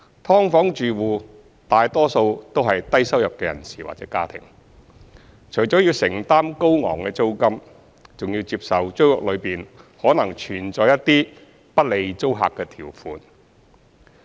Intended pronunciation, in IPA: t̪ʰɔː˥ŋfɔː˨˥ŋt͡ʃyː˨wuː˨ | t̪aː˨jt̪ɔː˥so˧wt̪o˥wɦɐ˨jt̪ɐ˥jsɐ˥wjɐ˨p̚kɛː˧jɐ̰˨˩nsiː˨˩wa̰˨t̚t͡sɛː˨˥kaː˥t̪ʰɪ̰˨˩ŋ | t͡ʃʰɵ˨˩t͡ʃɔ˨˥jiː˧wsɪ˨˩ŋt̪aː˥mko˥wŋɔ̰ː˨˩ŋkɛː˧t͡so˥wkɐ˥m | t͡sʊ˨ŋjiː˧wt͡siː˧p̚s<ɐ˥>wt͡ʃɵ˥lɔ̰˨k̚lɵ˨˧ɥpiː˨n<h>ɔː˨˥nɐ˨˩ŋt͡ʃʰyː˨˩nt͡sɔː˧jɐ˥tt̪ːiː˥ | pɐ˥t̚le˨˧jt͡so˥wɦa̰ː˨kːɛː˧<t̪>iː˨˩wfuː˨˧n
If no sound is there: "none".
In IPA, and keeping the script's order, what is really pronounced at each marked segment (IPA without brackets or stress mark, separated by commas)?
ɐ˨, h, t̪ʰ